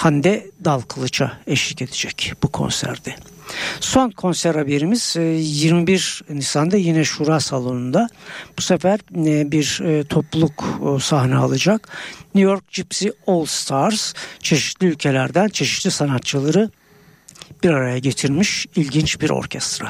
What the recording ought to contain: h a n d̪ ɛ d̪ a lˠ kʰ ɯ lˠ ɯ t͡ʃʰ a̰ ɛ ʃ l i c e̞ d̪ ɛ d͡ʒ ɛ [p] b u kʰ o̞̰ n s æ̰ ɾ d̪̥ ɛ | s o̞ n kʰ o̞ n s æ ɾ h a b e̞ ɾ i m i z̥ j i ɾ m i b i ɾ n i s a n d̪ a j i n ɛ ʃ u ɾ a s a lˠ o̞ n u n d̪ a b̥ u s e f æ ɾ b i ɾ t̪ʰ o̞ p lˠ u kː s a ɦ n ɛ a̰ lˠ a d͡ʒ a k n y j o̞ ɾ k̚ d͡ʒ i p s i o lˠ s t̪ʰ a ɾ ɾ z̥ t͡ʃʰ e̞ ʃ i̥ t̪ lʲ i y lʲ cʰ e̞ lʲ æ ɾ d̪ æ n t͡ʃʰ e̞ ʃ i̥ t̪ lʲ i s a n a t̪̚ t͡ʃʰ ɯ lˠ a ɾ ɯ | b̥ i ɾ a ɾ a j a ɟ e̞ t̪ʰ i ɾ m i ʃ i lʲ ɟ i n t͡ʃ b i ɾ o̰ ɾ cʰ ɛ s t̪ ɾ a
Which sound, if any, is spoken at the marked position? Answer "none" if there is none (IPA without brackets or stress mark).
c